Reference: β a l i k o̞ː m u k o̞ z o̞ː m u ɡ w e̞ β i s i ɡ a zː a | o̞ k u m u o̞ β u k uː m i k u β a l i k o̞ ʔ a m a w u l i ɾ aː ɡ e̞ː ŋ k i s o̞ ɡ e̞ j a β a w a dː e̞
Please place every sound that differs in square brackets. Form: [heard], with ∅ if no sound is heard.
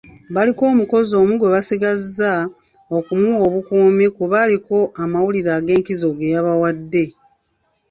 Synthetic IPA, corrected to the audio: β a l i k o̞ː m u k o̞ z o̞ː m u ɡ w e̞ β [a] s i ɡ a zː a | o̞ k u m u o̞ β u k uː m i k u β a l i k o̞ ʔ a m a w u l i ɾ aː ɡ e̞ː ŋ k i [z] o̞ ɡ e̞ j a β a w a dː e̞